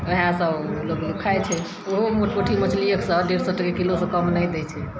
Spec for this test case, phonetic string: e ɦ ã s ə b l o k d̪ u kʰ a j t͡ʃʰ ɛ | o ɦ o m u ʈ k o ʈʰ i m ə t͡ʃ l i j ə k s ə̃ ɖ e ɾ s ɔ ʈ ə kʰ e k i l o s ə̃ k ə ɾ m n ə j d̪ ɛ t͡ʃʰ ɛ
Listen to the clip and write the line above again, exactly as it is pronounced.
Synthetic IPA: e ɦ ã s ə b l o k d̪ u kʰ a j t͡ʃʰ ɛ | o ɦ o m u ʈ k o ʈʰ i m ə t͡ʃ l i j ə k s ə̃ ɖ e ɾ s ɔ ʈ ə k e k i l o s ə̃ k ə m n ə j d̪ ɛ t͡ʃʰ ɛ

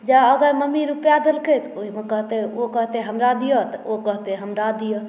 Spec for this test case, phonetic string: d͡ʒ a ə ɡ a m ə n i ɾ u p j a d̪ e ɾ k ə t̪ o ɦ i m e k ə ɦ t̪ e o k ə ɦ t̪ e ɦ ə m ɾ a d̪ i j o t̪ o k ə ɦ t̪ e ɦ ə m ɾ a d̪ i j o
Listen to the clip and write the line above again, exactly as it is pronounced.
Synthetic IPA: d͡ʒ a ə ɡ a m ə m i ɾ u p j a d̪ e l k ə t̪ o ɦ i m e k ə ɦ t̪ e o k ə ɦ t̪ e ɦ ə m ɾ a d̪ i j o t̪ o k ə ɦ t̪ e ɦ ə m ɾ a d̪ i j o

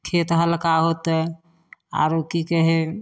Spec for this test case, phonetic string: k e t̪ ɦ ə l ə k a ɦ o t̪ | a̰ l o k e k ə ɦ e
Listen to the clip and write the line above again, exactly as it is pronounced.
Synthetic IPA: kʰ e t̪ ɦ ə l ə k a ɦ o t̪ | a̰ ɾ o k i k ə ɦ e

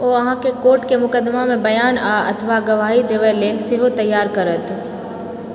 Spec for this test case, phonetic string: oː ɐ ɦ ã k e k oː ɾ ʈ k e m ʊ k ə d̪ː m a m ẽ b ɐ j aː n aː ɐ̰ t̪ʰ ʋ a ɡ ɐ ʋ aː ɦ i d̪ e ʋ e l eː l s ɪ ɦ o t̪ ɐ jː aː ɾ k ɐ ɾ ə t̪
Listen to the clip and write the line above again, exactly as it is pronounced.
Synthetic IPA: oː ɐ ɦ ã k e k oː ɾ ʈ k e m ʊ k ə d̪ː m a m ẽ b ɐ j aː n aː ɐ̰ t̪ʰ ʋ a ɡ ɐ ʋ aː ɦ i d̪ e ʋ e l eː l s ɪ ɦ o t̪ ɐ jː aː ɾ k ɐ ɾ ə t̪

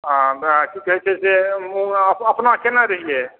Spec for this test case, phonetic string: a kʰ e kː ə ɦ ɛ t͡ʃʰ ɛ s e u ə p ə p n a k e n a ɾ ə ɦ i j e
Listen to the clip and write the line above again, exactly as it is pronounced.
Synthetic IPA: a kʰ i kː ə ɦ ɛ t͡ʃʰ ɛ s e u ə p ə p n a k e n a ɾ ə ɦ i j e

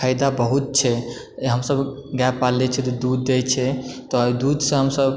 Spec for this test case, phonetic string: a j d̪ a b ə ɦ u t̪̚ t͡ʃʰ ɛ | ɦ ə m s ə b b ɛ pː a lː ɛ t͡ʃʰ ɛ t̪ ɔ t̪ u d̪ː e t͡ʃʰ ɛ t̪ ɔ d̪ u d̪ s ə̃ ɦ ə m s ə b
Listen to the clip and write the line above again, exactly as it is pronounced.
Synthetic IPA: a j d̪ a b ə ɦ u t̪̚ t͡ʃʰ ɛ | ɦ ə m s ə b ɡ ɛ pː a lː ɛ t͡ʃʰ ɛ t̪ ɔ d̪ u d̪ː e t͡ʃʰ ɛ t̪ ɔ d̪ u d̪ s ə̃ ɦ ə m s ə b

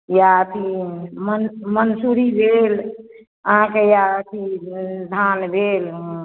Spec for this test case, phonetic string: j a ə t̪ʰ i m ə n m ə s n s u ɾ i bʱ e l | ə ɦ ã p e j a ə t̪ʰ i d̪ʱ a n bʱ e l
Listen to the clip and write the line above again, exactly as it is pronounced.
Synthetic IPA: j a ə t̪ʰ i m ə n m ə n s u ɾ i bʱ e l | ə ɦ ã k e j a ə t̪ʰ i d̪ʱ a n bʱ e l

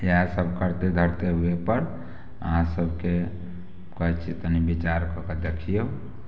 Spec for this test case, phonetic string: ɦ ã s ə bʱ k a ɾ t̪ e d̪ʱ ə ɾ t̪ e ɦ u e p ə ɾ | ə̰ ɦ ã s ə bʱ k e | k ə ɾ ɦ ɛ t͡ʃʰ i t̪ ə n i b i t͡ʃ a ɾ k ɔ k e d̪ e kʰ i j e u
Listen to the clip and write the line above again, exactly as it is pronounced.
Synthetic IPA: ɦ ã s ə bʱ k ə ɾ t̪ e d̪ʱ ə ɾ t̪ e ɦ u e p ə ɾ | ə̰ ɦ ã s ə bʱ k e | k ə ɦ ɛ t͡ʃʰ i t̪ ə n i b i t͡ʃ a ɾ k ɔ k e d̪ e kʰ i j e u

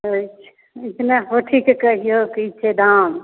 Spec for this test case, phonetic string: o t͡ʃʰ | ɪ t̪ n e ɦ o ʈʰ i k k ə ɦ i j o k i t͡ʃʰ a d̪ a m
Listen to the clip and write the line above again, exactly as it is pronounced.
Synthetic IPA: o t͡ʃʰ | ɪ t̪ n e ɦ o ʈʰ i k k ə ɦ i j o k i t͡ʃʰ e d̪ a m

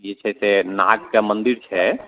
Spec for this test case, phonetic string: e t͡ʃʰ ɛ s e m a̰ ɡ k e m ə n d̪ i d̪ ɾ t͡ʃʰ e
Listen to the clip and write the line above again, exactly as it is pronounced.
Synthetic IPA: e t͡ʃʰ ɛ s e n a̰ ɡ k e m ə n d̪ i ɾ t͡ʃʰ ɛ

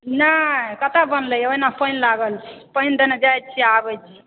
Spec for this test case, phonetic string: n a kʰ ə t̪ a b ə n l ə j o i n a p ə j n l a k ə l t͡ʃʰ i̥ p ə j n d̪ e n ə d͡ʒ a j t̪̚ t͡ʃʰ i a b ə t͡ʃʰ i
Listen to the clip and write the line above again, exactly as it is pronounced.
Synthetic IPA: n a k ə t̪ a b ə n l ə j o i n a p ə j n l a ɡ ə l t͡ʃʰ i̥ p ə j n d̪ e n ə d͡ʒ a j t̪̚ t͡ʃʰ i a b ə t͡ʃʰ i

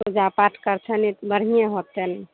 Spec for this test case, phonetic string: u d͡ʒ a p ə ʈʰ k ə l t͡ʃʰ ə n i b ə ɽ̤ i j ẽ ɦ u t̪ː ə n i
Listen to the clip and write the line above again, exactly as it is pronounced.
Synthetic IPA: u d͡ʒ a p a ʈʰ k ə ɾ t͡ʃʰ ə n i b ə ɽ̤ i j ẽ ɦ o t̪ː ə n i

